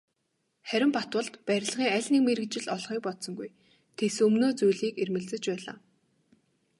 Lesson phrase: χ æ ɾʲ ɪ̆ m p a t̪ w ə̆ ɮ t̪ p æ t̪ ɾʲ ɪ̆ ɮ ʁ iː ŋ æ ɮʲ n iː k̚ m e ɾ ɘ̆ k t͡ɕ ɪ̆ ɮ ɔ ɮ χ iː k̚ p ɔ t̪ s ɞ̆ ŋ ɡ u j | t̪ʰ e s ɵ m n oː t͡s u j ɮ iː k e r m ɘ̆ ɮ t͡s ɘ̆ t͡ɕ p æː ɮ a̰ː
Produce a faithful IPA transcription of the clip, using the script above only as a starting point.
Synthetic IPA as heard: χ æ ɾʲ ɪ̆ m p a t̪ w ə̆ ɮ t̪ p æ ɾʲ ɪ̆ ɮ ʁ iː ŋ æ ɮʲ n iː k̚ m e ɾ ɘ̆ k t͡ɕ ɪ̆ ɮ ɔ ɮ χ iː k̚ p ɔ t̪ s ɞ̆ ŋ ɡ u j | t̪ʰ e s ɵ m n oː t͡s u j ɮ iː k e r m ɘ̆ ɮ t͡s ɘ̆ t͡ɕ p æː ɮ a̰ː